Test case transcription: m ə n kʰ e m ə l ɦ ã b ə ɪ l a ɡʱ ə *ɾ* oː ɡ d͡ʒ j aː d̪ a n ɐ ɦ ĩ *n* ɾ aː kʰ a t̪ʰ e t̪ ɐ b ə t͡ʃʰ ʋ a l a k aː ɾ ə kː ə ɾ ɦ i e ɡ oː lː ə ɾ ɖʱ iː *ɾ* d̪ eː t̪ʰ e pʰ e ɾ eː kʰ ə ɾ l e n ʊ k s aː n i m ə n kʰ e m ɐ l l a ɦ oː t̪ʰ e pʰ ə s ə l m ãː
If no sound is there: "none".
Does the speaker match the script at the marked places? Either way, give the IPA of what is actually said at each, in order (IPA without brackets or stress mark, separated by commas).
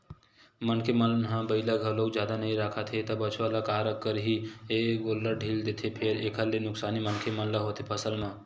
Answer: l, none, l